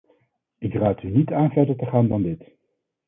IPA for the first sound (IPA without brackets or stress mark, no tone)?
ɪ